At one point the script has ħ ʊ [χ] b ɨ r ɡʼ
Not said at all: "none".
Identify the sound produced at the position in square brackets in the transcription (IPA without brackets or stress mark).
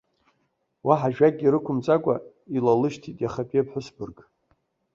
s